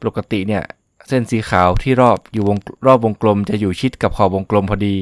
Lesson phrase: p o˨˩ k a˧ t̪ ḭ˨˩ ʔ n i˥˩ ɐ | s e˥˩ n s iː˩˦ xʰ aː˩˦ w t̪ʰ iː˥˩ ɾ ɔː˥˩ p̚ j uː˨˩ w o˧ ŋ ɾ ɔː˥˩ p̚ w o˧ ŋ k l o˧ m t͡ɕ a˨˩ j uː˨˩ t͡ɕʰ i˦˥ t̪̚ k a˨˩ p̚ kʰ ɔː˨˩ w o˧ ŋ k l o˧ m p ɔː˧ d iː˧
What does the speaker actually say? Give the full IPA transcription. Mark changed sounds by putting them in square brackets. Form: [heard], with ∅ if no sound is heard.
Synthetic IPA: p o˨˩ k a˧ t̪ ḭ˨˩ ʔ n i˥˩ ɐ | s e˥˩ n s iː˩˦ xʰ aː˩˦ w t̪ʰ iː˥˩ ɾ ɔː˥˩ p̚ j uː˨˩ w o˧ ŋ ɾ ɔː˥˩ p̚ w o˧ ŋ k l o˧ m t͡ɕ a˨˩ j uː˨˩ t͡ɕʰ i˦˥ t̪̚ k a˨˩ p̚ kʰ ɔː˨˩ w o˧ ŋ k l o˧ m [pʰ] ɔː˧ d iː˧